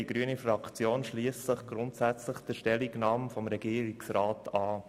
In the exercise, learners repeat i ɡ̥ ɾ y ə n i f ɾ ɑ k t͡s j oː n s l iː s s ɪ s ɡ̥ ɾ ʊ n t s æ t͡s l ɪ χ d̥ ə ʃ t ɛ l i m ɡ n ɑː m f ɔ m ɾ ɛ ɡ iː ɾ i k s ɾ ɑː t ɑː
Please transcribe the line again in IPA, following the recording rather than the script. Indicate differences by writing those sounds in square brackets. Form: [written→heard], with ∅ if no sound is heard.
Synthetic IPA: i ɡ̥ ɾ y ə n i f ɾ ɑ k t͡s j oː n [s→ʃ] l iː s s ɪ [s→χ] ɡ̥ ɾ ʊ n t s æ t͡s l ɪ χ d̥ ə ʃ t ɛ l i [m→∅] ɡ n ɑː m f ɔ m ɾ ɛ ɡ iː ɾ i k s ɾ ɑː t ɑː